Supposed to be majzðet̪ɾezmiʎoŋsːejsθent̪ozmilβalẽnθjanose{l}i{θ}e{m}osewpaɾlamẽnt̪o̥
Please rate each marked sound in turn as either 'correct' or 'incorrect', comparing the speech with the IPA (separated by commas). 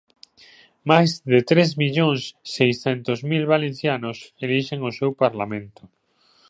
correct, incorrect, incorrect